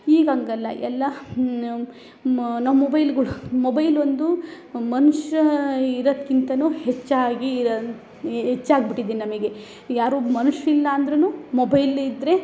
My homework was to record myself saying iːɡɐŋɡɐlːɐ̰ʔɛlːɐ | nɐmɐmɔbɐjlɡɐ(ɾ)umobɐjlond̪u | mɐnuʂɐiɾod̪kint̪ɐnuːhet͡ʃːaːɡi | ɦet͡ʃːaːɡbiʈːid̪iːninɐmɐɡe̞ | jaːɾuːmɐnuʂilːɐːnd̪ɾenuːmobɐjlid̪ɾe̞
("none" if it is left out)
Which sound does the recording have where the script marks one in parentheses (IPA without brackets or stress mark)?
ɭ